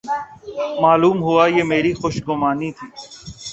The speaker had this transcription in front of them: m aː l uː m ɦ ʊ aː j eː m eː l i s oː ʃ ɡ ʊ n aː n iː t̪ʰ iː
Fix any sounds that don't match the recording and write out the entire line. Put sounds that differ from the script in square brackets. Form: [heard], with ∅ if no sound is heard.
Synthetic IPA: m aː l uː m ɦ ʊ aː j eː m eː [ɾ] i [x] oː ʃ ɡ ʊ [m] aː n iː t̪ʰ iː